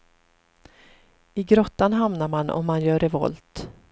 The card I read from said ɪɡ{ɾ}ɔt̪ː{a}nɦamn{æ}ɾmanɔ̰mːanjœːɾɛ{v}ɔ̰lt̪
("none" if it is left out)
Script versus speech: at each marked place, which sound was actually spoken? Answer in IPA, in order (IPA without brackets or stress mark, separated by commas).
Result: ɾ, a, a, v